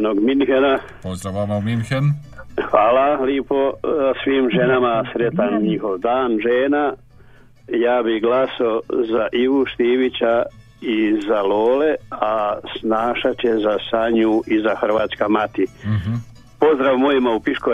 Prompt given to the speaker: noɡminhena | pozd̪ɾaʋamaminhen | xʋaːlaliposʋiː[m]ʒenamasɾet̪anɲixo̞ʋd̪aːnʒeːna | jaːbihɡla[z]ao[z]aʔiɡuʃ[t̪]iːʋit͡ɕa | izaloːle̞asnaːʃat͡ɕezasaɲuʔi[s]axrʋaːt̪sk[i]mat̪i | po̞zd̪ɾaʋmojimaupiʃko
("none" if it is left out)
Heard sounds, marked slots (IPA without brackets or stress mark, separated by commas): m, s, z, t̪, z, a